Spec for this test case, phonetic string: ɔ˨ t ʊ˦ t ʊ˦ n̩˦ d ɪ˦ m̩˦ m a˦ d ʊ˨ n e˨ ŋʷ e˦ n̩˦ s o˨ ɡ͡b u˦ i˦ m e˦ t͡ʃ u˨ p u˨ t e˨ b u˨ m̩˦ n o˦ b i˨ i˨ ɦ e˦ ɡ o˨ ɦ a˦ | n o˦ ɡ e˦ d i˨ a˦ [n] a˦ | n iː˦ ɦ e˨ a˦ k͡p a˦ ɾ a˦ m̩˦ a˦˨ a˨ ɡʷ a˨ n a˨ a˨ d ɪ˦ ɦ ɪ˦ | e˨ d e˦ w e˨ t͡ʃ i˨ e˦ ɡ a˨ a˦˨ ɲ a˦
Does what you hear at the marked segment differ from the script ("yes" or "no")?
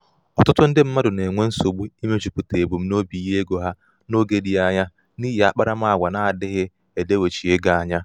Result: yes